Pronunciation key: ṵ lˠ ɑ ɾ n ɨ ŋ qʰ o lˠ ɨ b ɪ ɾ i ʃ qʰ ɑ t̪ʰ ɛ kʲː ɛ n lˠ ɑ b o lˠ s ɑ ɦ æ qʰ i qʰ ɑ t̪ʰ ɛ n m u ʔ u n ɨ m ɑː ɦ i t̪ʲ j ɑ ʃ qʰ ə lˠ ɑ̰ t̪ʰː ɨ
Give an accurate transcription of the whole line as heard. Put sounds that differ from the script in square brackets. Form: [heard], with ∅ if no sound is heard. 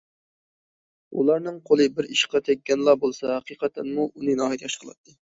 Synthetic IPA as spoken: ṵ lˠ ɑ ɾ n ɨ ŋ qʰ o lˠ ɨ b ɪ ɾ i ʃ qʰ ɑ t̪ʰ ɛ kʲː ɛ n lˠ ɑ b o lˠ s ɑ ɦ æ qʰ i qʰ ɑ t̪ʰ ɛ n m u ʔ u n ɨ [n] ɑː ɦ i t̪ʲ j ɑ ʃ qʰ ə lˠ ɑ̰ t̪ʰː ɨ